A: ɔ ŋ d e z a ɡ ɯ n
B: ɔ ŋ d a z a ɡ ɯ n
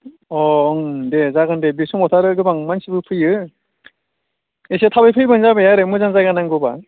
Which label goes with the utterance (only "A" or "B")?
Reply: A